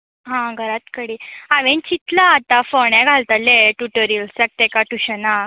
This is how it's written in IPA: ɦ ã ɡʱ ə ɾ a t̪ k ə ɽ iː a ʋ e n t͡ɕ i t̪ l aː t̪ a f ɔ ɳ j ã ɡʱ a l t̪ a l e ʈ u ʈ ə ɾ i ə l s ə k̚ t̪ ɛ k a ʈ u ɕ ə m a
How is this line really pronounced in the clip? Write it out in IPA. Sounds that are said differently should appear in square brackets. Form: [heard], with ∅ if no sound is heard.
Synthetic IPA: ɦ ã ɡʱ ə ɾ a t̪ k ə ɽ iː a ʋ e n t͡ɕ i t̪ l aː t̪ a f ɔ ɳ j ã ɡʱ a l t̪ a l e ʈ u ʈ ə ɾ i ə l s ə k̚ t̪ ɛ k a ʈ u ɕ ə [n] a